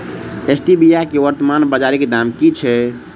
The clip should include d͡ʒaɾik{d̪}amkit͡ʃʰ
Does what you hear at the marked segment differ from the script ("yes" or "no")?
no